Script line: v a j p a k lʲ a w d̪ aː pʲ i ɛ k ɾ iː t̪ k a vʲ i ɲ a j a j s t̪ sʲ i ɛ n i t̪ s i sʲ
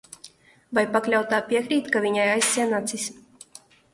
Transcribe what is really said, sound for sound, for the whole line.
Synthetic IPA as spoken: v a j p a k lʲ a w t̪ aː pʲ i ɛ k ɾ iː t̪ k a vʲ i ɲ a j a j s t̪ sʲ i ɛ n a t̪ s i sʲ